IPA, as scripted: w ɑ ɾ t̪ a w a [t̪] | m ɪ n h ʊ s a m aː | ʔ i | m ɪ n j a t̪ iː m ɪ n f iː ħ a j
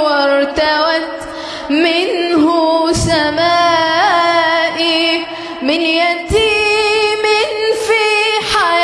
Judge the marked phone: correct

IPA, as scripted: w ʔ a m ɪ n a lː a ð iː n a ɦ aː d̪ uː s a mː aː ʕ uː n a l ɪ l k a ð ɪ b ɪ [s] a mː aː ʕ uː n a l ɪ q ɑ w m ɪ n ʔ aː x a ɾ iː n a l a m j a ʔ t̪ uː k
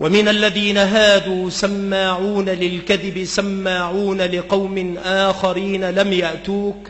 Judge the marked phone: correct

